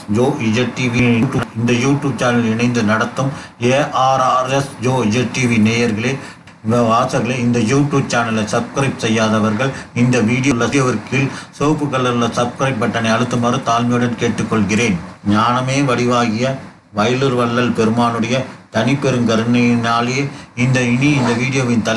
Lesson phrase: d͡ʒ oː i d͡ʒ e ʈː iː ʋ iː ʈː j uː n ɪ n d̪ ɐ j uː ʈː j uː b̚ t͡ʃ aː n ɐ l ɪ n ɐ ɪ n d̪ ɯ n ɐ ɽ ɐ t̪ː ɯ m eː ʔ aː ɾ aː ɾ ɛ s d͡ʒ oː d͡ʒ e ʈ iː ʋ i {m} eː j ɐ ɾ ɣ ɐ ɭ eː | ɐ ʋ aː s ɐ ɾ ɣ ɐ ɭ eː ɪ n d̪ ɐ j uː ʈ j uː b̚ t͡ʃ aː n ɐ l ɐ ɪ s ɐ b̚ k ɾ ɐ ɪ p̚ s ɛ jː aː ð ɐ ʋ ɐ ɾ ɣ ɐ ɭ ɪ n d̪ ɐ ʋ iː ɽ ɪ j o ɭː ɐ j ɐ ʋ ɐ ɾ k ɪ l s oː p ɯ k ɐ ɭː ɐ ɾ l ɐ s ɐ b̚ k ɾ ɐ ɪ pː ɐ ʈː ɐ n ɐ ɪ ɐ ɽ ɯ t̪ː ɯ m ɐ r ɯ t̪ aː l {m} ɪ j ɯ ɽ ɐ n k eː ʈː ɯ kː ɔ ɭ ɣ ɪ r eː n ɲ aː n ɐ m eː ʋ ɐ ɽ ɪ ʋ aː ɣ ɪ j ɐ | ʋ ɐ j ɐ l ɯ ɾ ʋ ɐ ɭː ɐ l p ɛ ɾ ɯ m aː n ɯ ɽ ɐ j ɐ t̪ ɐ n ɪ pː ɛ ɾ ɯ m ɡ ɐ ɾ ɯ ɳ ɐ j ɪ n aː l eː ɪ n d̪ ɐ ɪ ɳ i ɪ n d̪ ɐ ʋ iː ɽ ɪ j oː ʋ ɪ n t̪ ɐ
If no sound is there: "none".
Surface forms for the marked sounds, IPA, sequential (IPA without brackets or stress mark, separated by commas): n, m